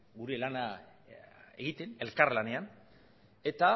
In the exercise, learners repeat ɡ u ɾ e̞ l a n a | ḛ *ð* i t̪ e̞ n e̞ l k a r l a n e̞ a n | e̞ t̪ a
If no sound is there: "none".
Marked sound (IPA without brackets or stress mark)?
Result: ɣ